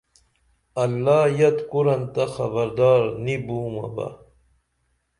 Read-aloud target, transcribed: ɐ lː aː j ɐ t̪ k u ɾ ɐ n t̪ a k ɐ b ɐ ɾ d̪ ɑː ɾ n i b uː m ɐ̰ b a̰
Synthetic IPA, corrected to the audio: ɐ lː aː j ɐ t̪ k u ɾ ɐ n t̪ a x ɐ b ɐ ɾ d̪ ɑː ɾ n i b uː m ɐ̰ b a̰

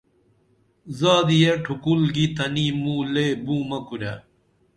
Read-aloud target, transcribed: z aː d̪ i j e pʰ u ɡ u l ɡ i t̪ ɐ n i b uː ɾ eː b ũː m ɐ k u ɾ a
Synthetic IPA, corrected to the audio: z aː d̪ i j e ʈʰ u k u l ɡ i t̪ ɐ n i m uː l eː b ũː m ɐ k u ɾ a

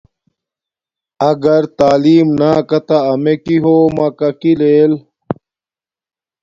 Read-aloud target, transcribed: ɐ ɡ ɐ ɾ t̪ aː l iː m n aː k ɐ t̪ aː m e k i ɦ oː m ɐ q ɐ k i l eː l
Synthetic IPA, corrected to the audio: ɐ ɡ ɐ ɾ t̪ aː l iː m n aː k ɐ t̪ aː m e k i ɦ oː m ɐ k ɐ k i l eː l

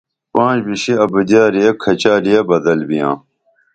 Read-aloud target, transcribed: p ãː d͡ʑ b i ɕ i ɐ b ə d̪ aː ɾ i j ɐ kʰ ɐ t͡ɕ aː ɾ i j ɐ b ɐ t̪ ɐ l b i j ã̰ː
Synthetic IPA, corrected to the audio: p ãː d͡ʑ b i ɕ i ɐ b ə d̪ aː ɾ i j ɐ kʰ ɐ t͡ɕ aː ɾ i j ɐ b ɐ d̪ ɐ l b i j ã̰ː

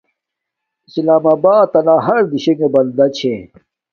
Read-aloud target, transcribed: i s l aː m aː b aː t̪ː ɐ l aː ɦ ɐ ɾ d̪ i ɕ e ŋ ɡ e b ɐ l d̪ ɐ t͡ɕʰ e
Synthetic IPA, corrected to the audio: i s l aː m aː b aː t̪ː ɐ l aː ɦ ɐ ɾ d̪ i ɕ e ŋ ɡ e b ɐ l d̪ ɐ t͡ɕʰ e

